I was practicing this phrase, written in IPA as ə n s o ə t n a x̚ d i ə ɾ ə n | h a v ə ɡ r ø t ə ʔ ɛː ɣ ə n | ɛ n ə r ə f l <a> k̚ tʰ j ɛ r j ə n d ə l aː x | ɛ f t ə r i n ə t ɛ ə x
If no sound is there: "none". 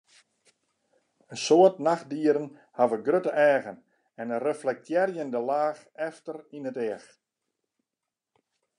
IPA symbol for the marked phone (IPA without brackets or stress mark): ɛ